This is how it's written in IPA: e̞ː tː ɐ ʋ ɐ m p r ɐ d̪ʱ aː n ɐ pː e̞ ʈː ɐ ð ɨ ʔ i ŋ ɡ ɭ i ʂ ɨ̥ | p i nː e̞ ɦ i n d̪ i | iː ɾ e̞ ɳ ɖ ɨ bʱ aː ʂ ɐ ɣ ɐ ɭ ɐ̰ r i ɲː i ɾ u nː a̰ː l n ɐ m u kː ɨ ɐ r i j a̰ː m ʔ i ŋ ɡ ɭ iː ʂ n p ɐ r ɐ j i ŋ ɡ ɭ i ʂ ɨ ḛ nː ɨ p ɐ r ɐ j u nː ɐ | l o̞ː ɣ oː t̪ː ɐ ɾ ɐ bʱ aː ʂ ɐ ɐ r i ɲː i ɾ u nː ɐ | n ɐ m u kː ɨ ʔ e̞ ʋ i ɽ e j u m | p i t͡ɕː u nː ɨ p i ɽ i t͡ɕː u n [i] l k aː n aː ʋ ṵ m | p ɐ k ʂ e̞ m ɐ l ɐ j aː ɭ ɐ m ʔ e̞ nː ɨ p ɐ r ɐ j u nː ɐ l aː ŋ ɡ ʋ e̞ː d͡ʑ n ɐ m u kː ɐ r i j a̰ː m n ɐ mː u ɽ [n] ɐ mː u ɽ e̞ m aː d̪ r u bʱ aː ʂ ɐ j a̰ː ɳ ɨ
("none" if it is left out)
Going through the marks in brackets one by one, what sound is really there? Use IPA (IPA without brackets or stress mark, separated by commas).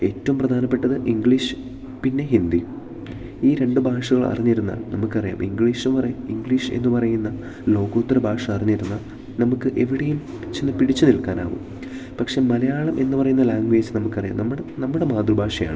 i, n